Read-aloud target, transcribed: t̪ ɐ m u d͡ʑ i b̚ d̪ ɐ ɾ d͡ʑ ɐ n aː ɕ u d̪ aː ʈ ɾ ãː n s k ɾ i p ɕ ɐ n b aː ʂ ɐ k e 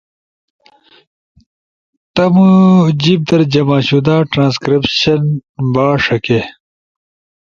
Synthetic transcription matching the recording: t̪ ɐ m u d͡ʑ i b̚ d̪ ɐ ɾ d͡ʑ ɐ m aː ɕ u d̪ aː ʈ ɾ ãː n s k ɾ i p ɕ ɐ n b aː ʂ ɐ k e